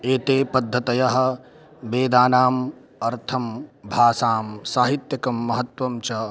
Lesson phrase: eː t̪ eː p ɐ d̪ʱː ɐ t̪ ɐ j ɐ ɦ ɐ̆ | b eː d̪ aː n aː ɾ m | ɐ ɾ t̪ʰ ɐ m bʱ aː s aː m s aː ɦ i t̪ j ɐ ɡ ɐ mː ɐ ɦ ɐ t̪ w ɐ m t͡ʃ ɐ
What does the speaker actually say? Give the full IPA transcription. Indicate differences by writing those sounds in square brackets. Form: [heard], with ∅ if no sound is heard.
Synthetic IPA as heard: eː t̪ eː p ɐ d̪ʱː ɐ t̪ ɐ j ɐ ɦ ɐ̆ | b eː d̪ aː n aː [∅] m | ɐ ɾ t̪ʰ ɐ m bʱ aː s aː m s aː ɦ i t̪ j ɐ [k] ɐ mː ɐ ɦ ɐ t̪ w ɐ m t͡ʃ ɐ